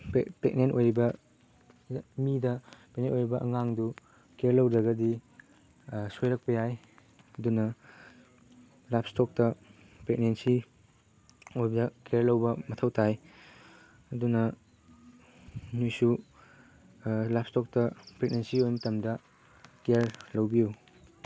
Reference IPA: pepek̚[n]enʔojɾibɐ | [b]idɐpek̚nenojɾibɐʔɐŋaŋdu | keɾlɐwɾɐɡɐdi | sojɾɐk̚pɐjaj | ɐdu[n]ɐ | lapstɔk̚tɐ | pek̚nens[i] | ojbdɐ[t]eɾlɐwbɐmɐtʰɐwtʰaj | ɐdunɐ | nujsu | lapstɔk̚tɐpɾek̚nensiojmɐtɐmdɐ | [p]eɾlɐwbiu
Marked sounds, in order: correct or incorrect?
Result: correct, incorrect, correct, correct, incorrect, incorrect

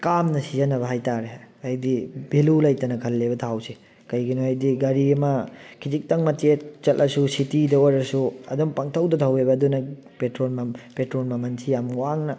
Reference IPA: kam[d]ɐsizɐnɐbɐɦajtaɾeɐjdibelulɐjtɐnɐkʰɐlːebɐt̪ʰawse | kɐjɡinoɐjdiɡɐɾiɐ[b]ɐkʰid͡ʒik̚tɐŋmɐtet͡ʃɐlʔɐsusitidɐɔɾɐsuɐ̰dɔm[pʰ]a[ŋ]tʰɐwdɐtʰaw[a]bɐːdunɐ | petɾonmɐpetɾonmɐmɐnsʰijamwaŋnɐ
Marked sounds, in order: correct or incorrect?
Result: incorrect, incorrect, incorrect, correct, incorrect

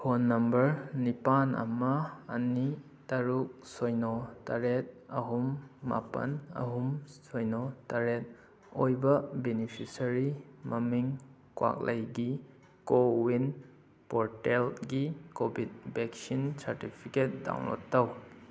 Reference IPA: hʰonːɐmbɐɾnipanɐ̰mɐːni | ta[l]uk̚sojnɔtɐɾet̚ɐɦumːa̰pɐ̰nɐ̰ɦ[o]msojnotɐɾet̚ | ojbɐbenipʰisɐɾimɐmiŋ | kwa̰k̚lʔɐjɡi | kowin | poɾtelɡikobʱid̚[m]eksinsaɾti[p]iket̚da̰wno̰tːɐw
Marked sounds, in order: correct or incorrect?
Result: incorrect, incorrect, incorrect, incorrect

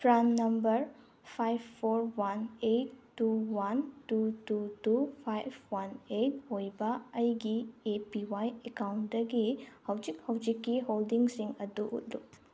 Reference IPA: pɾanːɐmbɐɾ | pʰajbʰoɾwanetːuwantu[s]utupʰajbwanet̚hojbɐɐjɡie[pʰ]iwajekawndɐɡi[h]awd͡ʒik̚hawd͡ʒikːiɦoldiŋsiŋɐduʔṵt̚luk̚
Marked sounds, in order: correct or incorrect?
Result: incorrect, incorrect, correct

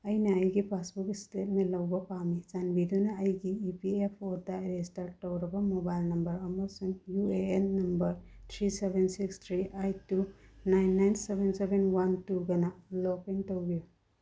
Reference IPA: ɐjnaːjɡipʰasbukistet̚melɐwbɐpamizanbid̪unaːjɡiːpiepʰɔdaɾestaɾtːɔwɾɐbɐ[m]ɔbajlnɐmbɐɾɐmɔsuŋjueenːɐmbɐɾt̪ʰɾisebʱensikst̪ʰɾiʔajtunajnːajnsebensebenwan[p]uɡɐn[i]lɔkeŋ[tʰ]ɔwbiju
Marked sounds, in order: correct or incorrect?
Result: correct, incorrect, incorrect, incorrect

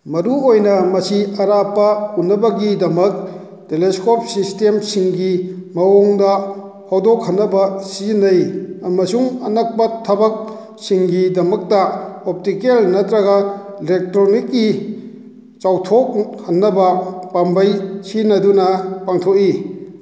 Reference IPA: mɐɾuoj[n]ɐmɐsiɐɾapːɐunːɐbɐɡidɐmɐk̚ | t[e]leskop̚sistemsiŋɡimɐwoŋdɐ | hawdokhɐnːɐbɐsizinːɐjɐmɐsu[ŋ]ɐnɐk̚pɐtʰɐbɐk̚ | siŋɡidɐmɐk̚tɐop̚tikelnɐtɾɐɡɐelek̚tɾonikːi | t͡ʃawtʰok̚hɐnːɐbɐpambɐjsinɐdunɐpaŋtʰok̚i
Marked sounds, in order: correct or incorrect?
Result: correct, correct, correct

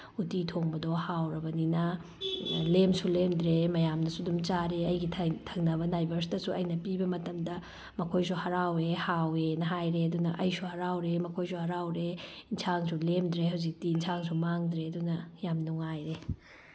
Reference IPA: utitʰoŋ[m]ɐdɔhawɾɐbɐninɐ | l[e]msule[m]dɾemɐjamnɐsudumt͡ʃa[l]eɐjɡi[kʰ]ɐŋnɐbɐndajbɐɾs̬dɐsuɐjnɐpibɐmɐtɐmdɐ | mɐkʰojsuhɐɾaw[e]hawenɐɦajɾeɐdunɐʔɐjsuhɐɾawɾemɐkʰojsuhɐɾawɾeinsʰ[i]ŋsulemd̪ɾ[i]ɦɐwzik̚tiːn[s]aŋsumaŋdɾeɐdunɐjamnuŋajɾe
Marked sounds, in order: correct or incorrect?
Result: incorrect, correct, correct, incorrect, incorrect, correct, incorrect, incorrect, correct

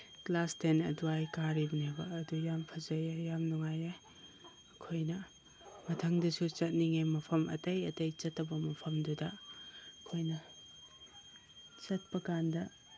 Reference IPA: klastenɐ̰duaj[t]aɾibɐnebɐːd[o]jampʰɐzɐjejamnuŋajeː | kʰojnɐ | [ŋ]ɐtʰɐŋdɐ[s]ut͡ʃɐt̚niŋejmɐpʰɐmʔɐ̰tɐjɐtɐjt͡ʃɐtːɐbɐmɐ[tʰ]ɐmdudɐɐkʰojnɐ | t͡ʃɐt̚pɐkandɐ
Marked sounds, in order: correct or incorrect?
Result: incorrect, incorrect, incorrect, correct, incorrect

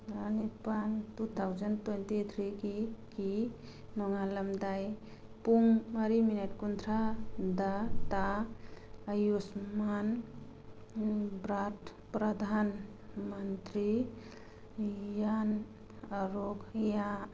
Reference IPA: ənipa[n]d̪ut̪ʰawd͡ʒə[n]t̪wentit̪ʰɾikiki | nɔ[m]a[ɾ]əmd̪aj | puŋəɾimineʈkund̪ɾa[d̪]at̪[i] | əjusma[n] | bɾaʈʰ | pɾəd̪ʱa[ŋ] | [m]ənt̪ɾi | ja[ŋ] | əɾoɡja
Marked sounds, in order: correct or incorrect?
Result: correct, correct, incorrect, incorrect, correct, incorrect, correct, incorrect, correct, incorrect

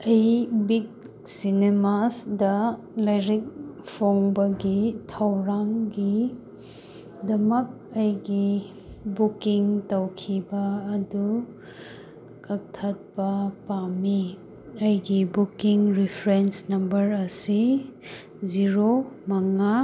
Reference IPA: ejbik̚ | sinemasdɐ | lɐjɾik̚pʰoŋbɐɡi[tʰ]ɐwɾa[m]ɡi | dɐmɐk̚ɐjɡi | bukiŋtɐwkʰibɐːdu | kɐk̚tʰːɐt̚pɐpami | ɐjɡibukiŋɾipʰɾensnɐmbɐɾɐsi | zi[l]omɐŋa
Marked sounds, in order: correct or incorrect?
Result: correct, incorrect, incorrect

